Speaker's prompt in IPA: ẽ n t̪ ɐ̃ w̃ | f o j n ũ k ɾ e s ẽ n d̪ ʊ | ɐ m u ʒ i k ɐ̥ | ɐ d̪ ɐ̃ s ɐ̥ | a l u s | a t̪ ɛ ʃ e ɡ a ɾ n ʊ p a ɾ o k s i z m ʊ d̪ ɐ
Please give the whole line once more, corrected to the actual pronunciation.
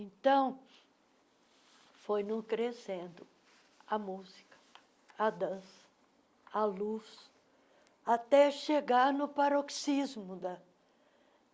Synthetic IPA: ẽ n t̪ ɐ̃ w̃ | f o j n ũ k ɾ e s ẽ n d̪ ʊ | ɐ m u z i k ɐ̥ | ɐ d̪ ɐ̃ s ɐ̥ | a l u s | a t̪ ɛ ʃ e ɡ a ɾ n ʊ p a ɾ o k s i z m ʊ d̪ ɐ

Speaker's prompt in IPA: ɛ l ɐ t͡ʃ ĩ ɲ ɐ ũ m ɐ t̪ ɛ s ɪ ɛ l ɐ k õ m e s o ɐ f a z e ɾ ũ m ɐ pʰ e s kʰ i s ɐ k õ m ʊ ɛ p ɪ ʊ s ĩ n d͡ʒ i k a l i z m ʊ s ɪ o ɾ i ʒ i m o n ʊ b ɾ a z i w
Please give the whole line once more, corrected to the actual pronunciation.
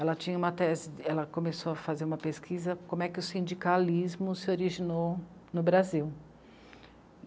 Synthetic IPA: ɛ l ɐ t͡ʃ ĩ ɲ ɐ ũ m ɐ t̪ ɛ z ɪ ɛ l ɐ k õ m e s o ɐ f a z e ɾ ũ m ɐ p e s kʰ i z ɐ k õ m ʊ ɛ k ɪ ʊ s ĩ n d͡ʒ i k a l i z m ʊ s ɪ o ɾ i ʒ i n o n ʊ b ɾ a z i w

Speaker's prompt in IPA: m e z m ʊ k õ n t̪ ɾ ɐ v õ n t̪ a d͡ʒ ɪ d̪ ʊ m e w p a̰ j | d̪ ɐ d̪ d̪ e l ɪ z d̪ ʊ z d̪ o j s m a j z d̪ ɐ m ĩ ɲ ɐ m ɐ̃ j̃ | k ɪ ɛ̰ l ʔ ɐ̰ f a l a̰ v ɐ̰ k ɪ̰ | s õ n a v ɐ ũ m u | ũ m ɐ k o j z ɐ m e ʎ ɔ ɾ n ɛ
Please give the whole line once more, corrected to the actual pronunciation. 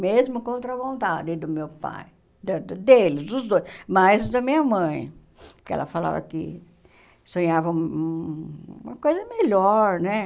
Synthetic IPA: m e z m ʊ k õ n t̪ ɾ ɐ v õ n t̪ a d͡ʒ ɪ d̪ ʊ m e w p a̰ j | d̪ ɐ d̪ d̪ e l ɪ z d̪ ʊ z d̪ o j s m a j z d̪ ɐ m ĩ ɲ ɐ m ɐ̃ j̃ | k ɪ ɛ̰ l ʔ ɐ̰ f a l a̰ v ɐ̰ k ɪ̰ | s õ ɲ a v ɐ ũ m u | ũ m ɐ k o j z ɐ m e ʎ ɔ ɾ n ɛ

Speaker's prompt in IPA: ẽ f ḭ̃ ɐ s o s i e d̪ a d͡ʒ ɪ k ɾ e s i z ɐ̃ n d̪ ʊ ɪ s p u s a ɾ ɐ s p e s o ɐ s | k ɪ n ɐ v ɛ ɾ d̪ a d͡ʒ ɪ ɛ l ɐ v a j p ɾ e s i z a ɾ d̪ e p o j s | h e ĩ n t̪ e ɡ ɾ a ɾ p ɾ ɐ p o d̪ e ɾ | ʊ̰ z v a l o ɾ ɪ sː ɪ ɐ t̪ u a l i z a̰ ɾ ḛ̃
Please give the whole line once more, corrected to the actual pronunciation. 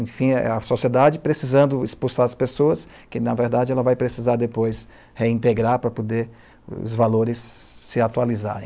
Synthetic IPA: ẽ f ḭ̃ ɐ s o s i e d̪ a d͡ʒ ɪ p ɾ e s i z ɐ̃ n d̪ ʊ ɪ s p u s a ɾ ɐ s p e s o ɐ s | k ɪ n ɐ v e ɾ d̪ a d͡ʒ ɪ ɛ l ɐ v a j p ɾ e s i z a ɾ d̪ e p o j s | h e ĩ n t̪ e ɡ ɾ a ɾ p ɾ ɐ p o d̪ e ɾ | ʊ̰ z v a l o ɾ ɪ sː ɪ a t̪ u a l i z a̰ ɾ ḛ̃

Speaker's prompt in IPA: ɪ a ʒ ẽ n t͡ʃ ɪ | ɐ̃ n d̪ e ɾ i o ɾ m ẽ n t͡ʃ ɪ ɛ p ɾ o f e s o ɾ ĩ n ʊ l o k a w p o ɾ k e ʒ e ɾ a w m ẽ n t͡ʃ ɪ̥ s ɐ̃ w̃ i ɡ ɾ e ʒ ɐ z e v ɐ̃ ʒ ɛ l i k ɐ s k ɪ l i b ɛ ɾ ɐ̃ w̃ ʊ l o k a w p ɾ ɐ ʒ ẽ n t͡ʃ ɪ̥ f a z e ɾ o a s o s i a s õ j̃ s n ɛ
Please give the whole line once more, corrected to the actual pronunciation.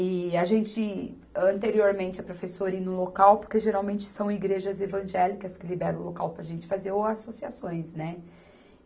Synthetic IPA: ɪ a ʒ ẽ n t͡ʃ ɪ | ɐ̃ n t̪ e ɾ i o ɾ m ẽ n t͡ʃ ɪ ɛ p ɾ o f e s o ɾ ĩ n ʊ l o k a w p o ɾ k e ʒ e ɾ a w m ẽ n t͡ʃ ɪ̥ s ɐ̃ w̃ i ɡ ɾ e ʒ ɐ z e v ɐ̃ ʒ ɛ l i k ɐ s k ɪ l i b ɛ ɾ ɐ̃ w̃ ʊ l o k a w p ɾ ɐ ʒ ẽ n t͡ʃ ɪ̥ f a z e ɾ o a s o s i a s õ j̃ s n ɛ

